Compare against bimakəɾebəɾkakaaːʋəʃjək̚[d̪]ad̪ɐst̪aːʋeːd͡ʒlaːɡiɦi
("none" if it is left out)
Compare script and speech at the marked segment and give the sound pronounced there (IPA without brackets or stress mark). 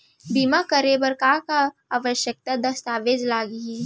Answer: t̪